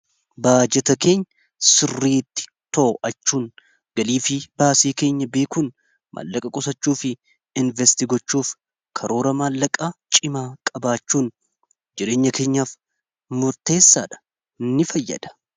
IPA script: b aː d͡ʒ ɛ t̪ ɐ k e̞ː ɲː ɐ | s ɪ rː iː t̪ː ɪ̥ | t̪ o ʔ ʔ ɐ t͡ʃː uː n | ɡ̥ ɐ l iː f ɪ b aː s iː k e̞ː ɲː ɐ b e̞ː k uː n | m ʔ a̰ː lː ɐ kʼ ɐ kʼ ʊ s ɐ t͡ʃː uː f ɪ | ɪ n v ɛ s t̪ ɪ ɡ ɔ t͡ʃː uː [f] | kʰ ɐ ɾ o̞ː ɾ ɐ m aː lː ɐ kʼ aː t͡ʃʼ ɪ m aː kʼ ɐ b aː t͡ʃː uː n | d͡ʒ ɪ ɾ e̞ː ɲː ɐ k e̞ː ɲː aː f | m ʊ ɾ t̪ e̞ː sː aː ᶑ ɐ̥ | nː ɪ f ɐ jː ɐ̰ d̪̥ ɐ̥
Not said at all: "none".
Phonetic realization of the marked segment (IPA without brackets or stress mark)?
f